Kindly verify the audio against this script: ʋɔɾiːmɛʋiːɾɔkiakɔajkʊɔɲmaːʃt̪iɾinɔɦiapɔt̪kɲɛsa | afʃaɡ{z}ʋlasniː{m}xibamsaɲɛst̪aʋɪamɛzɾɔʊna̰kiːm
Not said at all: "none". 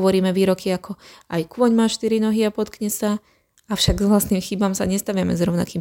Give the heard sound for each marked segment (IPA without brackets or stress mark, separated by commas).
z, m